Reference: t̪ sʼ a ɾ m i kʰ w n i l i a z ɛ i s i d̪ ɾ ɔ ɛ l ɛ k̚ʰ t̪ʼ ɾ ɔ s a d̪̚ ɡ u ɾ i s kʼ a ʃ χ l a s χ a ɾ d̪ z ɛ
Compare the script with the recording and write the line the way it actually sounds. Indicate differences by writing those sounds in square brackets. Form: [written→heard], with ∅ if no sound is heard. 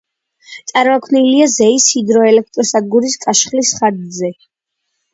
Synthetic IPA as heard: t̪ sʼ a ɾ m [i→a] kʰ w n i l i a z ɛ i s i d̪ ɾ ɔ ɛ l ɛ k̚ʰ t̪ʼ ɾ ɔ s a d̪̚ ɡ u ɾ i s kʼ a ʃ χ l [a→i] s χ a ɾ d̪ z ɛ